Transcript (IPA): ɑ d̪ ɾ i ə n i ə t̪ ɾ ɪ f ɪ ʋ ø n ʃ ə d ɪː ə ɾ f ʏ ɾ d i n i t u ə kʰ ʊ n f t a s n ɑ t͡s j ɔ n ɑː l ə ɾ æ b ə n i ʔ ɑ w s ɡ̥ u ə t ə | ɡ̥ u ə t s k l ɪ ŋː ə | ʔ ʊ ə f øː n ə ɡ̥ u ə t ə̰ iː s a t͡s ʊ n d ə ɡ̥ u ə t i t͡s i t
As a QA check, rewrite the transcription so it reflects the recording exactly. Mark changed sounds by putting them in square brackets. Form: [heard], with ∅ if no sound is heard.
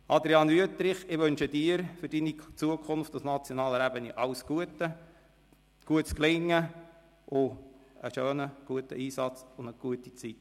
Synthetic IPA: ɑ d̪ ɾ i [ɑ] n [y] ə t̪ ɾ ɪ [χ] ɪ ʋ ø n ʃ ə d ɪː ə ɾ f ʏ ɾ d i n i [t͡s] u ə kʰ ʊ n f t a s n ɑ t͡s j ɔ n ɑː l ə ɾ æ b ə n i ʔ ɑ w s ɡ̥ u ə t ə | ɡ̥ u ə t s k l ɪ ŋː ə | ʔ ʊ ə [ʃ] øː n ə ɡ̥ u ə t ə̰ iː s [ɑ] t͡s ʊ n d ə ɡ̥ u ə t i t͡s i t

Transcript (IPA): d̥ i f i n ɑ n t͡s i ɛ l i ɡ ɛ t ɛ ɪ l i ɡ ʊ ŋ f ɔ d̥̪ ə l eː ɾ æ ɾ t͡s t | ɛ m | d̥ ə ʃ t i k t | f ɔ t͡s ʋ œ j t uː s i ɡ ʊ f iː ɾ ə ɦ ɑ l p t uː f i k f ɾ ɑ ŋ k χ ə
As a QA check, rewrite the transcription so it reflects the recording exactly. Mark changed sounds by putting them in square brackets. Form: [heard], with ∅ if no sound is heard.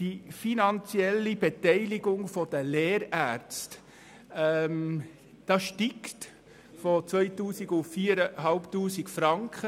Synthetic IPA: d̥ i f i n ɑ n t͡s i ɛ l i [b] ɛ t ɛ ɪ l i ɡ ʊ ŋ f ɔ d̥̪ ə l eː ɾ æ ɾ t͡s t | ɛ m | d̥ [ɑ] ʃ t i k t | f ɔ t͡s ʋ œ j t uː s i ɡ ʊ f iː ɾ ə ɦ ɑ l p t uː [s] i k f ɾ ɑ ŋ k χ ə

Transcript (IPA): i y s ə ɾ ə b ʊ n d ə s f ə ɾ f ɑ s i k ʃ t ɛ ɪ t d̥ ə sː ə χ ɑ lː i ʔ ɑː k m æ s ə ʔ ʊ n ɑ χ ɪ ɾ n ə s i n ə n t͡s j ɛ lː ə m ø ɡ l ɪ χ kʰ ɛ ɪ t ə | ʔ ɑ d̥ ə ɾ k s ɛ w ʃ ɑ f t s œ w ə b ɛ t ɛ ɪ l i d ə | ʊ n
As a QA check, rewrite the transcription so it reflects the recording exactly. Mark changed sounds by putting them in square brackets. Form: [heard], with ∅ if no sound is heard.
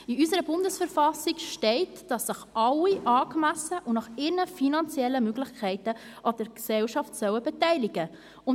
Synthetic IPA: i y s ə ɾ ə b ʊ n d ə s f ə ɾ f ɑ s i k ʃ t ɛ ɪ t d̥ [ɑ] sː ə χ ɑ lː i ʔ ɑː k m æ s ə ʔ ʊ n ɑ χ ɪ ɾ n ə [f] i n [ɑ] n t͡s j ɛ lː ə m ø ɡ l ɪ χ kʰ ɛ ɪ t ə | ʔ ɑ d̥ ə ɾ k s ɛ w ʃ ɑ f t s œ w ə b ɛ t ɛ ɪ l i [ɡ] ə | ʊ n

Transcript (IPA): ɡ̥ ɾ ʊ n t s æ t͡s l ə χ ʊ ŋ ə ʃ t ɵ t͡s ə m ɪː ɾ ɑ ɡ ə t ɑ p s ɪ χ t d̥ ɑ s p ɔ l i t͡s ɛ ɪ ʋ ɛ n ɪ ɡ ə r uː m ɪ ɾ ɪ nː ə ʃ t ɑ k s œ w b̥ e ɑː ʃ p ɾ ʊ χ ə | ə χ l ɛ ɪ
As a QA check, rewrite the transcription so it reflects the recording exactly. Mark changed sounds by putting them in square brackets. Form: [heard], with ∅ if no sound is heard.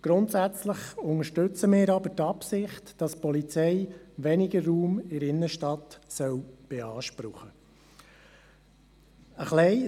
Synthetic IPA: ɡ̥ ɾ ʊ n t s æ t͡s l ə χ ʊ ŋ ə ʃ t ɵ t͡s ə m ɪː ɾ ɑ [b] ə t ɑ p s ɪ χ t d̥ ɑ s p ɔ l i t͡s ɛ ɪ ʋ ɛ n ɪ ɡ ə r uː m ɪ ɾ ɪ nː ə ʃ t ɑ [t] s œ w b̥ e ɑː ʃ p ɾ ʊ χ ə | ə χ l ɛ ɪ

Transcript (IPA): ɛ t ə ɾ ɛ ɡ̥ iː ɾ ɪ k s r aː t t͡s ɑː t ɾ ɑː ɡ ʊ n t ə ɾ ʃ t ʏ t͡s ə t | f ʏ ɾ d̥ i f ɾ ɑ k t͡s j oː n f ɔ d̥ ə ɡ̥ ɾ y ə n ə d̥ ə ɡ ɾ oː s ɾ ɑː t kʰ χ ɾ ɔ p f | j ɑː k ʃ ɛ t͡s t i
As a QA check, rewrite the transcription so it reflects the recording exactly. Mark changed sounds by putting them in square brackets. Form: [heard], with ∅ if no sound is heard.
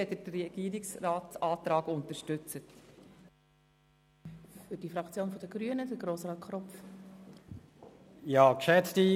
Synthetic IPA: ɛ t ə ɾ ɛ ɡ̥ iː ɾ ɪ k s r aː t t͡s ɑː t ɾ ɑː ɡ ʊ n t ə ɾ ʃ t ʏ t͡s ə t | f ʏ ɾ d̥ i f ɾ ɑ k t͡s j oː n f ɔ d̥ ə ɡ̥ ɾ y ə n ə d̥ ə ɡ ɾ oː s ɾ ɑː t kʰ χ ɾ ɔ p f | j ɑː k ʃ ɛ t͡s t i

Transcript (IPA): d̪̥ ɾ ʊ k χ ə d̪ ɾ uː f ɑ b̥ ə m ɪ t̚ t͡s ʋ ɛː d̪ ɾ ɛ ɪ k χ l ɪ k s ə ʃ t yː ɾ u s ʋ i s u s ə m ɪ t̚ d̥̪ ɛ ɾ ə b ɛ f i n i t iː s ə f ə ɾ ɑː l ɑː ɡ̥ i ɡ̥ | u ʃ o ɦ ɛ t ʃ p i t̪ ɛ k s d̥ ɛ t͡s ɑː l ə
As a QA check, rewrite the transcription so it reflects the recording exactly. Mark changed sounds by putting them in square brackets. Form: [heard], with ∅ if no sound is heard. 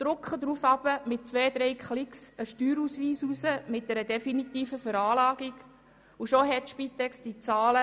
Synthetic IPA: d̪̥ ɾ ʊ k χ ə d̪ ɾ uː f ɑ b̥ ə m ɪ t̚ t͡s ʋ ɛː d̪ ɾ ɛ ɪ k χ l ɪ k s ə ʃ t yː ɾ u s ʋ [iː] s u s ə m ɪ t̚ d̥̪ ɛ ɾ ə [d] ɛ f i n i t iː [f] ə f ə ɾ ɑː l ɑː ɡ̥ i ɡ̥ | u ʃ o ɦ ɛ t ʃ p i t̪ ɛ k s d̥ [i] t͡s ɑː l ə

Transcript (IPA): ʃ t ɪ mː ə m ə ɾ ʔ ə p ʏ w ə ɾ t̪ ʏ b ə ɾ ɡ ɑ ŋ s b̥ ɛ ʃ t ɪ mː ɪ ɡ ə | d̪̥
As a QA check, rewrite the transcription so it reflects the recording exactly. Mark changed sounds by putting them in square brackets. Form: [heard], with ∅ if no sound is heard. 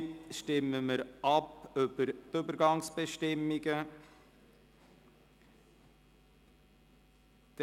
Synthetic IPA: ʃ t ɪ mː ə m ə ɾ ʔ [ɑ] p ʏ [b] ə ɾ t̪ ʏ b ə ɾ ɡ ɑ ŋ s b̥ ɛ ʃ t ɪ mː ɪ ɡ ə | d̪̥

